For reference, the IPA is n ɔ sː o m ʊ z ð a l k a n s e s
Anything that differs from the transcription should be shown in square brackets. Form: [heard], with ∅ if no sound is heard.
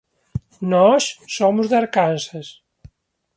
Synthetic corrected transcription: n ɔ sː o m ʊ z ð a [ɾ] k a n s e s